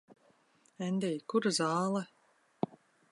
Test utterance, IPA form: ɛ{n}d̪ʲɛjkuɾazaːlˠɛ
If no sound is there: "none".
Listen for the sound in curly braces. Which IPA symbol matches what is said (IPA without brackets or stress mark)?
n